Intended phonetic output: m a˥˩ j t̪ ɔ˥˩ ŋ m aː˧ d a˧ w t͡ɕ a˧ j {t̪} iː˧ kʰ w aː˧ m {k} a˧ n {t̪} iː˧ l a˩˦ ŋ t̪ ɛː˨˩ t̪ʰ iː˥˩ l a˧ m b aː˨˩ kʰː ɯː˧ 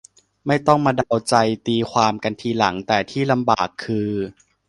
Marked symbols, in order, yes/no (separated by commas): yes, yes, no